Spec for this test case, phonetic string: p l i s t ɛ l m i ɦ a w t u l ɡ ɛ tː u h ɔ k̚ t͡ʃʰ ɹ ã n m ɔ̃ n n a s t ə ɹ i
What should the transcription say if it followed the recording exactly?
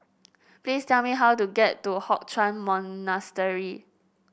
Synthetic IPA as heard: p l i s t ɛ l m i ɦ a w t u ɡ ɛ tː u h ɔ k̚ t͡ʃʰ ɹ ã n m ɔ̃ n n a s t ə ɹ i